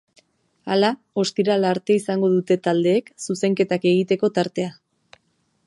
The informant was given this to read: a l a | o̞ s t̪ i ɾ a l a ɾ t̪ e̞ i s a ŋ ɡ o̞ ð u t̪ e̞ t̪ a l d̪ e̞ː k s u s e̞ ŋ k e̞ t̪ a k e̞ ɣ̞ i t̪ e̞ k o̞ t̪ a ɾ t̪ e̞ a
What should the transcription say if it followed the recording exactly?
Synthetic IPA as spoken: a l a | o̞ s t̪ i ɾ a l a ɾ t̪ e̞ i s a ŋ ɡ o̞ ð u t̪ e̞ t̪ a l d̪ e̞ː k s u s e̞ ŋ k e̞ t̪ a k e̞ ɣ̞ i t̪ e̞ k o̞ t̪ a ɾ t̪ e̞ a